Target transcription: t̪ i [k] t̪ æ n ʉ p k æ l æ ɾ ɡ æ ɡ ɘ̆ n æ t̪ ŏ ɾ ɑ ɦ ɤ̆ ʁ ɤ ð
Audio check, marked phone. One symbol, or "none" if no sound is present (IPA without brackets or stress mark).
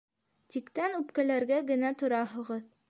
k